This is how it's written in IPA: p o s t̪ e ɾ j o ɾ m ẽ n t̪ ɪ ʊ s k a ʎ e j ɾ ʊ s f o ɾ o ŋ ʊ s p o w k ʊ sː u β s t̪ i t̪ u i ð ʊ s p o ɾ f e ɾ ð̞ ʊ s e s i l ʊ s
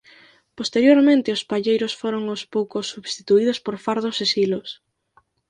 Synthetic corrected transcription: p o s t̪ e ɾ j o ɾ m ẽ n t̪ ɪ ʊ s p a ʎ e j ɾ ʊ s f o ɾ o ŋ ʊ s p o w k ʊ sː u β s t̪ i t̪ u i ð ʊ s p o ɾ f a ɾ ð̞ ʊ s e s i l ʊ s